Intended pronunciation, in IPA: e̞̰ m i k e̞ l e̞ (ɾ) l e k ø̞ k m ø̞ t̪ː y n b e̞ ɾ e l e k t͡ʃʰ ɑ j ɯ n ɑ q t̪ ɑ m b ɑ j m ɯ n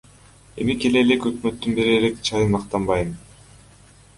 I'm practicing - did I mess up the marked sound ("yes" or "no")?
yes